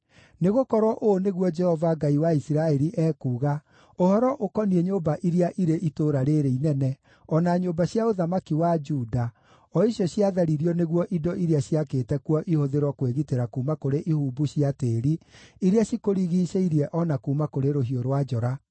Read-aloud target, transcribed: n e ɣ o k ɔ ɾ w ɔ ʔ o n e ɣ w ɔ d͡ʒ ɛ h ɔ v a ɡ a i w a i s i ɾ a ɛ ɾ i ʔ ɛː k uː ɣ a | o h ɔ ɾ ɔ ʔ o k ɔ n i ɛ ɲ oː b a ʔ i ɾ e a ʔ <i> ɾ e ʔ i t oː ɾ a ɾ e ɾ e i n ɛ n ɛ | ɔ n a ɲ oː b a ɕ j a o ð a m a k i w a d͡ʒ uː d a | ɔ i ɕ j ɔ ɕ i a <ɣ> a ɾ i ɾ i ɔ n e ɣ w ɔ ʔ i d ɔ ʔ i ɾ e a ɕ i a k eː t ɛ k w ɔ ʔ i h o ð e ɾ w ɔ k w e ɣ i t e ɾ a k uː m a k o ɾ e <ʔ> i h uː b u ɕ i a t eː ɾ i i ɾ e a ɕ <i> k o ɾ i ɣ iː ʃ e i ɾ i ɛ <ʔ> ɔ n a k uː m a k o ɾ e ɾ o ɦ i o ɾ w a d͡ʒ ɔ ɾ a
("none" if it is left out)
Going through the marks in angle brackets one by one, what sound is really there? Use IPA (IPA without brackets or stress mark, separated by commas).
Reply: i, ð, ʔ, i, ʔ